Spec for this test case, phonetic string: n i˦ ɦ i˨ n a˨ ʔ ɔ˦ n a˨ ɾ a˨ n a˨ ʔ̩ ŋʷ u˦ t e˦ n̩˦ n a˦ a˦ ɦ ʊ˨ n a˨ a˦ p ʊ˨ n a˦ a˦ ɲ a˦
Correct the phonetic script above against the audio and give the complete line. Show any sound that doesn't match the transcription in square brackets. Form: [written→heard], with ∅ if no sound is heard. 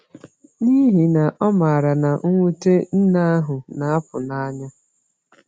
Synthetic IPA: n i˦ ɦ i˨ n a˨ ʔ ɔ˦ [n→m] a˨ ɾ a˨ n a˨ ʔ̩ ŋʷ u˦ t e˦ n̩˦ n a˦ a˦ ɦ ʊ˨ n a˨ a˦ p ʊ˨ n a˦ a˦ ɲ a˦

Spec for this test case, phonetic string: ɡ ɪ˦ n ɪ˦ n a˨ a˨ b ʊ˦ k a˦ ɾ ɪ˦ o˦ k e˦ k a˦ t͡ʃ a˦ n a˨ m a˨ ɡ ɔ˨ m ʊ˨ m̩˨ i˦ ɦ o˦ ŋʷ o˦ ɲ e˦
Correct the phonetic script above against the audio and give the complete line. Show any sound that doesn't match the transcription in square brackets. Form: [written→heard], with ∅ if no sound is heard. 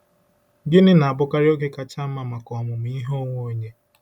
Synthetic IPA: ɡ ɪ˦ n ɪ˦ n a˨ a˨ b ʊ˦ k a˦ ɾ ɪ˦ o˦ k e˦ k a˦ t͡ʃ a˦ [n→m] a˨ m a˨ [ɡ→k] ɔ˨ m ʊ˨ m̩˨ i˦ ɦ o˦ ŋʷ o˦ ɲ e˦

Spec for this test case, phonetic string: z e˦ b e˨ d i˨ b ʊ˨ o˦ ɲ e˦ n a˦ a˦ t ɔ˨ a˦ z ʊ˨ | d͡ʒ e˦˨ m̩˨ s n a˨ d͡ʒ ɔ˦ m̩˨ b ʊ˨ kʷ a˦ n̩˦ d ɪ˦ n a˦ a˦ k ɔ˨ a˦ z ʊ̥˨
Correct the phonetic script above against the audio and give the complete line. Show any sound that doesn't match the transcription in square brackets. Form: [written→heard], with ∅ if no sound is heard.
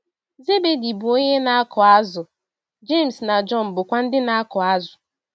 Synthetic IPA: z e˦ b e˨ d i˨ b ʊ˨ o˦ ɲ e˦ n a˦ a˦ [t→k] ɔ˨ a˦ z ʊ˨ | d͡ʒ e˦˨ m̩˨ s n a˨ d͡ʒ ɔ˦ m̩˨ b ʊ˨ kʷ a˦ n̩˦ d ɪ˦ n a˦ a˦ k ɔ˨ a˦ z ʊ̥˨

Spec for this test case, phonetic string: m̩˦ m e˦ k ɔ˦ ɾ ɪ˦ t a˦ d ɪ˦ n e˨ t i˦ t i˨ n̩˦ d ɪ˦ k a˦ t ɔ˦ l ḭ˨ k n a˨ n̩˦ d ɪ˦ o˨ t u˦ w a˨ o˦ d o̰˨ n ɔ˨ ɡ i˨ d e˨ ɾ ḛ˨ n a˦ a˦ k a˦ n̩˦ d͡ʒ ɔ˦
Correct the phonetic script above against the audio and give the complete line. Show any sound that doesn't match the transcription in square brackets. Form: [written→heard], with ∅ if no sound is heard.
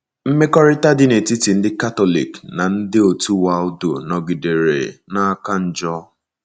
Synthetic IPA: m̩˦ m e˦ k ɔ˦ ɾ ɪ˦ t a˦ d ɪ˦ n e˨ t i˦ t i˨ n̩˦ d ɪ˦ k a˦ t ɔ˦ l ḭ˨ k n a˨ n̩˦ d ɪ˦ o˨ t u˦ w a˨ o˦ d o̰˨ n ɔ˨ ɡ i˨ d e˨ ɾ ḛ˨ n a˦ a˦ k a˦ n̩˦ d͡ʒ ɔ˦

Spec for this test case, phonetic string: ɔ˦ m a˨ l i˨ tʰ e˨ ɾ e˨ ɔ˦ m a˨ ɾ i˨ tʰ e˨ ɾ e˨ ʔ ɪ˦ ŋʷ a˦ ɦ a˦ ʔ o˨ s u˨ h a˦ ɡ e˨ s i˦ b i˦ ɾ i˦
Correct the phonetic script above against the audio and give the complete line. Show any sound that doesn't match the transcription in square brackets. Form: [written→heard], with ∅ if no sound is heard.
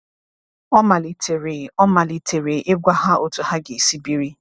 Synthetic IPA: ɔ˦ m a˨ l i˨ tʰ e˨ ɾ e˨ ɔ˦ m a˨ [ɾ→l] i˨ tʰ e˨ ɾ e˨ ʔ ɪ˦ [ŋʷ→ɡʷ] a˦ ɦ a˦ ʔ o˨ [s→t] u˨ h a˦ ɡ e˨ s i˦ b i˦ ɾ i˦

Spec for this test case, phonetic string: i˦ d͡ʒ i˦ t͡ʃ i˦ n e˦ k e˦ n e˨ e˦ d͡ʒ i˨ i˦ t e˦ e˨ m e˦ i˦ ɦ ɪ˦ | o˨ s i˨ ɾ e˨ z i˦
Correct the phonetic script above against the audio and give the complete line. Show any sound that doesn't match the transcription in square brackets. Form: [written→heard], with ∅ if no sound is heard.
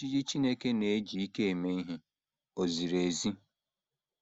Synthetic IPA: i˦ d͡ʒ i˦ t͡ʃ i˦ n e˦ k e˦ n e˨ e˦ d͡ʒ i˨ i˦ [t→k] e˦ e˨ m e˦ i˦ ɦ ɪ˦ | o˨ [s→z] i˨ ɾ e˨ z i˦

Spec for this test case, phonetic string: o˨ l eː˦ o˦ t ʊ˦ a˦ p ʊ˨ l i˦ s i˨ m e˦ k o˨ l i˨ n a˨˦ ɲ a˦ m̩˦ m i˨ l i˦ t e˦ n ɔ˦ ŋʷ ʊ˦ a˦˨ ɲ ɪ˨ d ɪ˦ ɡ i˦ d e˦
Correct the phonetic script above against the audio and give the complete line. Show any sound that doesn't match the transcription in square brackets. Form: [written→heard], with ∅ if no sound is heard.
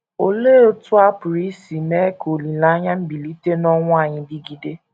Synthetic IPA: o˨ l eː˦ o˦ t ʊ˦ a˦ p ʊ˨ [l→ɾ] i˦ s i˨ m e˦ k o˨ l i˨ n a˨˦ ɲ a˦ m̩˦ [m→b] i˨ l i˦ t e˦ n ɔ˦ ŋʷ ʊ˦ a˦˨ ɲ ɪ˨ d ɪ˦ ɡ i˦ d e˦

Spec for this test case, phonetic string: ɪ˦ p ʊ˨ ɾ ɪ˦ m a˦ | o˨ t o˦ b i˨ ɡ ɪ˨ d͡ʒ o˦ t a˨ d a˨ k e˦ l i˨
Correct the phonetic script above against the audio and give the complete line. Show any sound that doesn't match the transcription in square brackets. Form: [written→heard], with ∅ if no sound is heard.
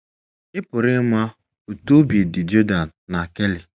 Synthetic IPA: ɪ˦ p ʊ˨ ɾ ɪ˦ m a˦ | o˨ t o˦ b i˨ [ɡ→d] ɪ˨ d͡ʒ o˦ [t→d] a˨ [d→n] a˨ k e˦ l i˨

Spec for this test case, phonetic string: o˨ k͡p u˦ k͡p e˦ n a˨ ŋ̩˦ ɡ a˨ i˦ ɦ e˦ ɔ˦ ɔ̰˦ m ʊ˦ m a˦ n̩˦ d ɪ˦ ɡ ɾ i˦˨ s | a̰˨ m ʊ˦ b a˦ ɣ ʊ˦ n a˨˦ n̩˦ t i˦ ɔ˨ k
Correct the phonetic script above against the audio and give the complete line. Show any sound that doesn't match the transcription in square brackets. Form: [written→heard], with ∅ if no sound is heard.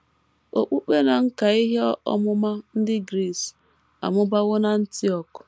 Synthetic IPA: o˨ k͡p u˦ k͡p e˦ n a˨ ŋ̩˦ [ɡ→k] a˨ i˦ ɦ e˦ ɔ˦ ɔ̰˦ m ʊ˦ m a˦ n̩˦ d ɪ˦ ɡ ɾ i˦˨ s | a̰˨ m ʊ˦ b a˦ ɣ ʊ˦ n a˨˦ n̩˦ t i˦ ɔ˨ k

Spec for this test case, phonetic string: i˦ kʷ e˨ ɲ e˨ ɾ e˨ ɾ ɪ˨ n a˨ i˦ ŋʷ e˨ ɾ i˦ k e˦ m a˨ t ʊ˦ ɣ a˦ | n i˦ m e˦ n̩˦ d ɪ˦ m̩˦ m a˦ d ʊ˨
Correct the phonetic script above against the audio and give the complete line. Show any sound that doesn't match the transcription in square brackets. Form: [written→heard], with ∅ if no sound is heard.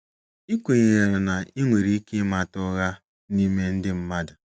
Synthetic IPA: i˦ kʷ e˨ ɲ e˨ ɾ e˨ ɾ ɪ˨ n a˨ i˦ ŋʷ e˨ ɾ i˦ k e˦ m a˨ t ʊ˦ ɣ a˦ | n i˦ m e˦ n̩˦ d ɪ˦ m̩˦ m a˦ d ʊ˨

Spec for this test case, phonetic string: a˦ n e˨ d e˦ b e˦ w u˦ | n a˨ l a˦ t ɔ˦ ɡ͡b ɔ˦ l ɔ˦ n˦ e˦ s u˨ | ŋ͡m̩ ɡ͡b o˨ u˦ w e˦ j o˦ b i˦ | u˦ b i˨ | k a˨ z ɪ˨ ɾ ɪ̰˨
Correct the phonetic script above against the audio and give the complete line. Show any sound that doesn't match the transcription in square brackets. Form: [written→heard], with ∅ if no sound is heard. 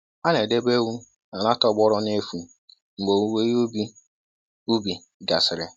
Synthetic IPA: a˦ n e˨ d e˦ b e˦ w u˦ | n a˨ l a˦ t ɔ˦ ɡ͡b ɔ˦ [l→ɾ] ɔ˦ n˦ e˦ [s→f] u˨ | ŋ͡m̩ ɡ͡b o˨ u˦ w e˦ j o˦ b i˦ | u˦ b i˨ | [k→ɡ] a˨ [z→s] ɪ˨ ɾ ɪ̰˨

